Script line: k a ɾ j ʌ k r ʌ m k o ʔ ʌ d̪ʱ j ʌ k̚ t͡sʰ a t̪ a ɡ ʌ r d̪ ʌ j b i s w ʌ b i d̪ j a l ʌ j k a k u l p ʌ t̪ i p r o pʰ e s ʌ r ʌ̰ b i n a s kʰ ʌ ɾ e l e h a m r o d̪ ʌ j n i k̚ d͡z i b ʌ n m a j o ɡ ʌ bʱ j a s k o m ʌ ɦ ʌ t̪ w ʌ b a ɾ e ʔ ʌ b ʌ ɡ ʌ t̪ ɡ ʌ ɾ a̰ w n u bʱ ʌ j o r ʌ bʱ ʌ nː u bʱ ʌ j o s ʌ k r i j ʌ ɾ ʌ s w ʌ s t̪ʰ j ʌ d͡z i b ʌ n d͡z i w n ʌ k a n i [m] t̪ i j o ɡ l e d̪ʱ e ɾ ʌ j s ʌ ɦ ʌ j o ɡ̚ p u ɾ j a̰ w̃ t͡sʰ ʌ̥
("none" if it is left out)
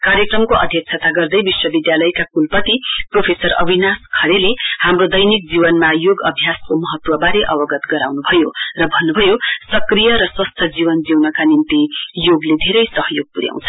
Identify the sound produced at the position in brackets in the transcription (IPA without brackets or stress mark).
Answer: n